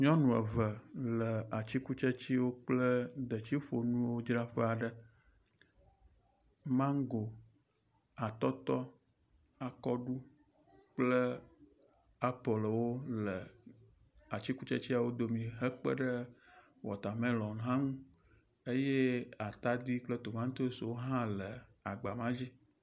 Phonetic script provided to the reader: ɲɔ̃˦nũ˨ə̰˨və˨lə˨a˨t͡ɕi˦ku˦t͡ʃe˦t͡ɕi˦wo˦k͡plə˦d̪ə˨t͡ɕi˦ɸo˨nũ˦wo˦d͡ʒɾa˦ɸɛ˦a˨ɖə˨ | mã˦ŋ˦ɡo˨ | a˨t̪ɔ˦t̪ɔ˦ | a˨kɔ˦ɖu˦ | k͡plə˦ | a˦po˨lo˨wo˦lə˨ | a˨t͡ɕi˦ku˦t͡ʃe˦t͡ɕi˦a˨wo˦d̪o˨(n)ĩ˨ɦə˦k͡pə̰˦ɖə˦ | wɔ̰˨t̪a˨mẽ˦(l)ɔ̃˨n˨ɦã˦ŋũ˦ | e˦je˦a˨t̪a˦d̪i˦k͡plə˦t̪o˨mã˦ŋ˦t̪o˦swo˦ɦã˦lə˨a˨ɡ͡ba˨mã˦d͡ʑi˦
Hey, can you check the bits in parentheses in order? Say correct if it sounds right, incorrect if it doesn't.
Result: incorrect: m, correct

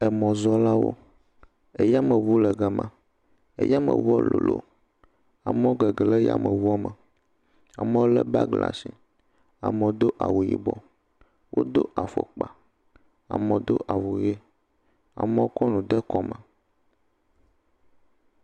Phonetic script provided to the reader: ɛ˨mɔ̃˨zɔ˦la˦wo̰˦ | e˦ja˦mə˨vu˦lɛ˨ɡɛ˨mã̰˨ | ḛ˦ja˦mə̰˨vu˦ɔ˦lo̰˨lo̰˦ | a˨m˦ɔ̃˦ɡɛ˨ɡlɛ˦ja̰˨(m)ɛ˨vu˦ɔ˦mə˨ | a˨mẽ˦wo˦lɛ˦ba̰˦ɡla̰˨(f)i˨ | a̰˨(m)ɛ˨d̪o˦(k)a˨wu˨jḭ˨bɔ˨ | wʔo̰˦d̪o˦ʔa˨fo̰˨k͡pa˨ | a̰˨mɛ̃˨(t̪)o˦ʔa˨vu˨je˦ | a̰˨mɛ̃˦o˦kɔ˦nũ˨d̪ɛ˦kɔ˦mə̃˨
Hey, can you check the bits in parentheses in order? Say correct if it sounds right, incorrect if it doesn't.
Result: correct, incorrect: s, correct, incorrect: ʔ, incorrect: d̪

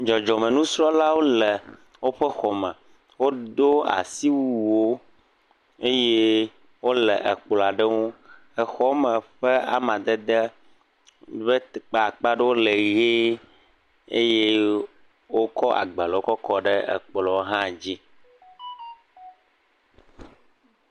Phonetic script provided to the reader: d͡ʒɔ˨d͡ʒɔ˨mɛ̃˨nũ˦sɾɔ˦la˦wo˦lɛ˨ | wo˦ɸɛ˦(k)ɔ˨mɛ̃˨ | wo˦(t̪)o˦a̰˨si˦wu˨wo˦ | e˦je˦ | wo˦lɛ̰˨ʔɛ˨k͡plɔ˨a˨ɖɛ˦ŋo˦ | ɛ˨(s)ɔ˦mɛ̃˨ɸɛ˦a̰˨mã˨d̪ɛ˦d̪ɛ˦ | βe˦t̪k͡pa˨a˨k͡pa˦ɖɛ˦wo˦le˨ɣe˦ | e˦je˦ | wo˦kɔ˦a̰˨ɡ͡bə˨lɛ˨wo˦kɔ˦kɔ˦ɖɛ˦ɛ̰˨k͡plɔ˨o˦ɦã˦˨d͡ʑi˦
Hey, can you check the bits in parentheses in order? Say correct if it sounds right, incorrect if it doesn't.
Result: incorrect: x, incorrect: d̪, incorrect: x

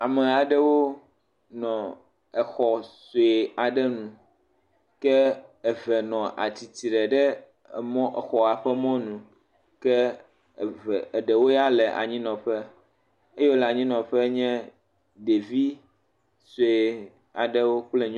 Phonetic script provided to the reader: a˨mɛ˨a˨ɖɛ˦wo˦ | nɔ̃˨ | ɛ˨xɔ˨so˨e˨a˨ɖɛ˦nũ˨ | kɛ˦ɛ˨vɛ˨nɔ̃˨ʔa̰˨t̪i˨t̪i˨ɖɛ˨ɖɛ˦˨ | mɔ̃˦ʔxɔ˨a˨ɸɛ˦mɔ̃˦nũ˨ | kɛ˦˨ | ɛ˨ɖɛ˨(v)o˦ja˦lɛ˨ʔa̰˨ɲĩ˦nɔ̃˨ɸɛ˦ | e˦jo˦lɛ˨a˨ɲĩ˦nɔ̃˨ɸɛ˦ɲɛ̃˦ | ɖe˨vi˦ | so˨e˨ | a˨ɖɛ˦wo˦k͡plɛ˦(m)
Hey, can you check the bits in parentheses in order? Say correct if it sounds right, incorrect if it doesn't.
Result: incorrect: w, incorrect: ɲ

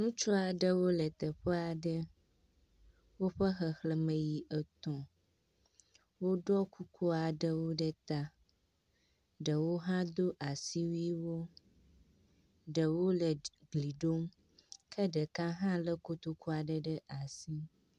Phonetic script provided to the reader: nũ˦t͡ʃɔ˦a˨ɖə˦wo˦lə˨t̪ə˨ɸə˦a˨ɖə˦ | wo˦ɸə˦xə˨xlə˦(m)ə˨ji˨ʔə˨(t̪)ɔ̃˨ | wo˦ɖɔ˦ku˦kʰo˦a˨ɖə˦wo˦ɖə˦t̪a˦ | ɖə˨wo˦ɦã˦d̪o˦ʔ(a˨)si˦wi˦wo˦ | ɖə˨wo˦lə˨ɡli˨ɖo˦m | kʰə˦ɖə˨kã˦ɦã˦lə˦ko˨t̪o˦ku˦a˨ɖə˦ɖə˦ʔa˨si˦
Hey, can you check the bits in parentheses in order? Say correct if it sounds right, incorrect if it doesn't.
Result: correct, correct, correct

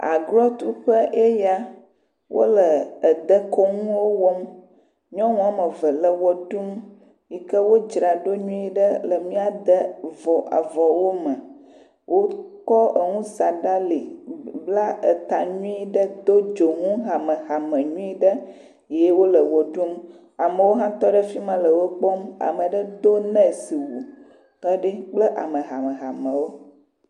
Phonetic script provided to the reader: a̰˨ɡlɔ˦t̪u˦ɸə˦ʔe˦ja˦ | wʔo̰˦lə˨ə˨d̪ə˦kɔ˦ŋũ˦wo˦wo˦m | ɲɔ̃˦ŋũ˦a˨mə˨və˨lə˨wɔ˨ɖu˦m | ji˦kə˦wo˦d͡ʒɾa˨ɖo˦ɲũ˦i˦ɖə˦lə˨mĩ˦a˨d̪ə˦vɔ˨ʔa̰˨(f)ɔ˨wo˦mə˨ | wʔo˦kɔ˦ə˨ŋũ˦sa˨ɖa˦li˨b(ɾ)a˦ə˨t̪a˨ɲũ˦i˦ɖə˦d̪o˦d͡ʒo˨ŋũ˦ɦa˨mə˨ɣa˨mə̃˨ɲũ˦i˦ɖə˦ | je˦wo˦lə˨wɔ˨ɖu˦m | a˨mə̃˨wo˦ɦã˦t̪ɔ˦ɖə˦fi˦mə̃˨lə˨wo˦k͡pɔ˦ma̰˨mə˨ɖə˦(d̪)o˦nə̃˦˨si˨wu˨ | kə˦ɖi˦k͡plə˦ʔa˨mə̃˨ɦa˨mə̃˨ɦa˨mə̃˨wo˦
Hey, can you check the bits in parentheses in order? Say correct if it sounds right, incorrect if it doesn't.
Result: incorrect: v, incorrect: l, correct

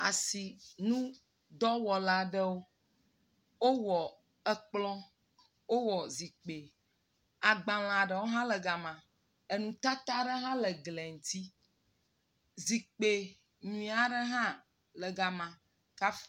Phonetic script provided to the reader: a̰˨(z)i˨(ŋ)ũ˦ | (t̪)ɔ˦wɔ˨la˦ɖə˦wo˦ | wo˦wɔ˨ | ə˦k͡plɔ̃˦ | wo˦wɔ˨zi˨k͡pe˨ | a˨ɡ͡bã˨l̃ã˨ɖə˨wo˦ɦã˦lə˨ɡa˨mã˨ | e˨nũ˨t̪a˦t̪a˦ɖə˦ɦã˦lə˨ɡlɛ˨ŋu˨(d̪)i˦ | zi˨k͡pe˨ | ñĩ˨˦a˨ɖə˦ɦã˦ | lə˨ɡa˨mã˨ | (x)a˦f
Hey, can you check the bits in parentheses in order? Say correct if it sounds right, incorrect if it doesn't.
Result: incorrect: s, incorrect: n, incorrect: d̪, incorrect: t̪, incorrect: k

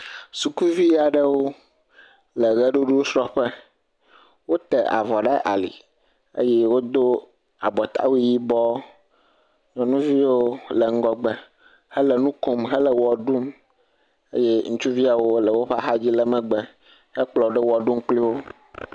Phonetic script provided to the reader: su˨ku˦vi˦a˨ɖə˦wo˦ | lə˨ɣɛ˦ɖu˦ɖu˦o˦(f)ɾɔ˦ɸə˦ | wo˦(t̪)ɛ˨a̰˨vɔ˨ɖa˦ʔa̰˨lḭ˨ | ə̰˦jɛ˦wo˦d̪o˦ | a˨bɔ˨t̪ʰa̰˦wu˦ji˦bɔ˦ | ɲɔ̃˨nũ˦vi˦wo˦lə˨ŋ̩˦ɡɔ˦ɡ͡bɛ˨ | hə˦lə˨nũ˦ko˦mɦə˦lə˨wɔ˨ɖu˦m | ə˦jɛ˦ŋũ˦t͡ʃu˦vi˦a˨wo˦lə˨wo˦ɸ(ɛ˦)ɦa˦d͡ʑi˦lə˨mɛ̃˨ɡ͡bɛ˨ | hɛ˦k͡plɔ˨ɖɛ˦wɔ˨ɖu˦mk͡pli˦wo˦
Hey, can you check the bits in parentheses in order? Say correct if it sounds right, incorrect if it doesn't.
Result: incorrect: s, correct, incorrect: a˦

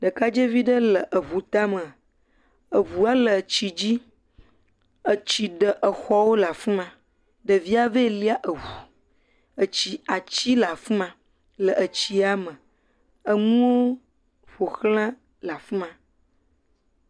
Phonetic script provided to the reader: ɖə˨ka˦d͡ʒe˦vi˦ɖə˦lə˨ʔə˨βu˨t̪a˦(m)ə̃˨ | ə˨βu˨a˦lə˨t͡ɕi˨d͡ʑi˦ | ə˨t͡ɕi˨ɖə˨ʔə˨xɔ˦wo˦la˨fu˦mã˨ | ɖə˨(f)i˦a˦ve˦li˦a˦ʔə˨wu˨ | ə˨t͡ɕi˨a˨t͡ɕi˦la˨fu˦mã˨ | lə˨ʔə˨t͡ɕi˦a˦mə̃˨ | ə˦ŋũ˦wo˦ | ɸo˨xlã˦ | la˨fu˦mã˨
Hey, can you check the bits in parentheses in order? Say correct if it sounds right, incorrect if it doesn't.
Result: correct, incorrect: v

